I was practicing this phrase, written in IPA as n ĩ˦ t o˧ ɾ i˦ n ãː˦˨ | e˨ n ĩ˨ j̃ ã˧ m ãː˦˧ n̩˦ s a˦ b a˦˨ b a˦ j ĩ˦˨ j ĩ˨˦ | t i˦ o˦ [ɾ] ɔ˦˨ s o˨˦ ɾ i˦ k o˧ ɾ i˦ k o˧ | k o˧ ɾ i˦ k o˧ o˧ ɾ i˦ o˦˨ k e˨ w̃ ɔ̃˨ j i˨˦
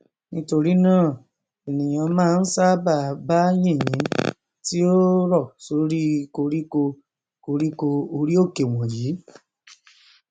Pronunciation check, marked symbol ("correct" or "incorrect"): correct